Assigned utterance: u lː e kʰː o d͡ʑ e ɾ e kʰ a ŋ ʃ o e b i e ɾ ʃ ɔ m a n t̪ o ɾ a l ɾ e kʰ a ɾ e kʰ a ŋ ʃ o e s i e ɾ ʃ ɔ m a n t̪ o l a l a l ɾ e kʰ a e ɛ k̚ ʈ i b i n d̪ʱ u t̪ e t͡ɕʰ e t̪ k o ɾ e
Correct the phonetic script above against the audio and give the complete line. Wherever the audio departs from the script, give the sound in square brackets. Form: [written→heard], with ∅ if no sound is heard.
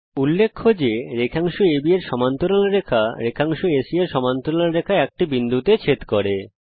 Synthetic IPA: u lː e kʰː o d͡ʑ e ɾ e kʰ a ŋ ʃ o e b i e ɾ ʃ ɔ m a n t̪ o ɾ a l ɾ e kʰ a ɾ e kʰ a ŋ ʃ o e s i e ɾ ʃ ɔ m a n t̪ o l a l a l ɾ e kʰ a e ɛ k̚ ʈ i b i n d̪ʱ u t̪ e t͡ɕʰ e t̪ k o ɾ e